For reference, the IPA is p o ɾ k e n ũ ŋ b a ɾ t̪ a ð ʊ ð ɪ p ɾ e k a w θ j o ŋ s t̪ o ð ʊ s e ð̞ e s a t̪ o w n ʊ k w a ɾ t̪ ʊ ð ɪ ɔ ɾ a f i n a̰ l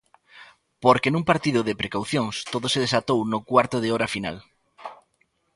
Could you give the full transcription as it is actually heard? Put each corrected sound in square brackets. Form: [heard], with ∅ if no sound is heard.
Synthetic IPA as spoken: p o ɾ k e n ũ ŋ [p] a ɾ t̪ [i] ð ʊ ð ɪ p ɾ e k a w θ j o ŋ s t̪ o ð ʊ s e ð̞ e s a t̪ o w n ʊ k w a ɾ t̪ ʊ ð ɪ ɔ ɾ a f i n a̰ l